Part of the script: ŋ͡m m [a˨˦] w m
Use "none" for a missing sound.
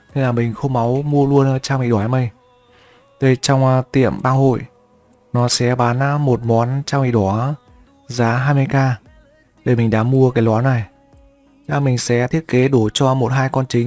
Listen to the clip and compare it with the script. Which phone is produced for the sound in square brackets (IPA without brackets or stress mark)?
a˨˦